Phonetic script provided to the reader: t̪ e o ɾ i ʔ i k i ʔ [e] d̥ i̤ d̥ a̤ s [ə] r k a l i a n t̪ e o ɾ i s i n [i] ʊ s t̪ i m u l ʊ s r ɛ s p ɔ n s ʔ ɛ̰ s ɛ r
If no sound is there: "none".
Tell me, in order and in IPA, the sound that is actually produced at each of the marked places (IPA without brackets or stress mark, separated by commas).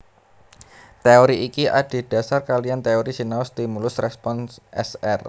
a, a, a